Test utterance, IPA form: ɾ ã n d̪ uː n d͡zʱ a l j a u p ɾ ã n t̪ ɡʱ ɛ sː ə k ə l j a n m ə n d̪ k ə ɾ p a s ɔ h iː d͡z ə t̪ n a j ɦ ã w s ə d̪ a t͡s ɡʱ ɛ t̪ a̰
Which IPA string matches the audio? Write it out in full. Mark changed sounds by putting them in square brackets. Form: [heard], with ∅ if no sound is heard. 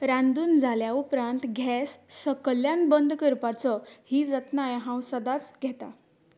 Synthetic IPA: ɾ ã n d̪ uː n d͡zʱ a l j a u p ɾ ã n t̪ ɡʱ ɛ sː ə k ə l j a n [b] ə n d̪ k ə ɾ p a [t͡s] ɔ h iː d͡z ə t̪ n a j ɦ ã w s ə d̪ a t͡s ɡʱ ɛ t̪ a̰